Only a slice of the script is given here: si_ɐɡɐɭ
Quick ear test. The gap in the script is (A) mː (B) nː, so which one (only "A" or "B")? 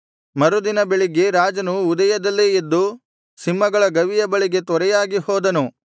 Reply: A